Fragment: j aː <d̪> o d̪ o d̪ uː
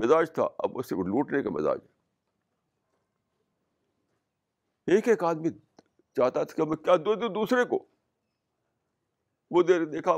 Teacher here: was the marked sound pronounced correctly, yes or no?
yes